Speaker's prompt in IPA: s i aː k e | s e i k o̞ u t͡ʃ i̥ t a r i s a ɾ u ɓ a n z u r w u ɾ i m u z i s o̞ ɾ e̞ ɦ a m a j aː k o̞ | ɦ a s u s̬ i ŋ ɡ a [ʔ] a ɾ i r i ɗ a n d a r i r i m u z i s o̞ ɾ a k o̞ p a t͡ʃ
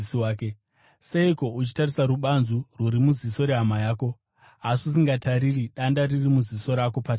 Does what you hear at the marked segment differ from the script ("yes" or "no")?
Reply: yes